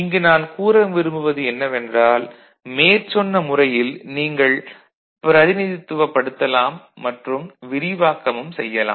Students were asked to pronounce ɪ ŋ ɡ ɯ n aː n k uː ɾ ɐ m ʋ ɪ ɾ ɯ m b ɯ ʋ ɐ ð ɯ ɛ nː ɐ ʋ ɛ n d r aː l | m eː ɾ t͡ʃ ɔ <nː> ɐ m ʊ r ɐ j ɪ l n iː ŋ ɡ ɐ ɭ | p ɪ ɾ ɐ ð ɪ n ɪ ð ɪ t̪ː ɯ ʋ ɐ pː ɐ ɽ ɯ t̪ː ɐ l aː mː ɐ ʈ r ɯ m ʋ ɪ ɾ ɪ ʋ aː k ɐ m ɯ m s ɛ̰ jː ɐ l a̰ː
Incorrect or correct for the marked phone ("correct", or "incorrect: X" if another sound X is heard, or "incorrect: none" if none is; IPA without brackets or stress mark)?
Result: correct